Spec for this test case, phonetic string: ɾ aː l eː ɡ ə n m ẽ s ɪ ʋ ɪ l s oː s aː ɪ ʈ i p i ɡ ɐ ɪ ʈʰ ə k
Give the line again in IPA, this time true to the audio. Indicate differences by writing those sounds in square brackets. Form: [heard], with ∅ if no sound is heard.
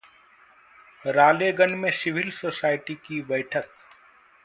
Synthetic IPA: ɾ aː l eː ɡ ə n m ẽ s ɪ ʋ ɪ l s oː s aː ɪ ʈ i [k] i [b] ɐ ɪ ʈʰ ə k